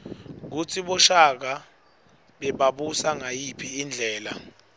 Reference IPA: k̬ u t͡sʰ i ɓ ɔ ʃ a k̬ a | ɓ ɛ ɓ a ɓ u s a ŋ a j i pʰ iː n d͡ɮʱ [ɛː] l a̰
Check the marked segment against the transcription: correct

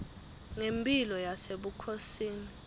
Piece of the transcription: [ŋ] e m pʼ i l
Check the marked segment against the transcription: correct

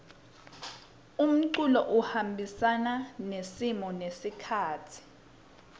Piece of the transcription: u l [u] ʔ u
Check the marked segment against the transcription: incorrect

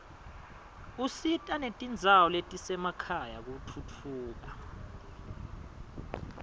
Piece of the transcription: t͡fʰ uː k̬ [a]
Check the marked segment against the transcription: correct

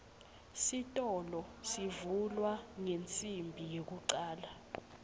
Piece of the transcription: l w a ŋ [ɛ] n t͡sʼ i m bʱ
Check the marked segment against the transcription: incorrect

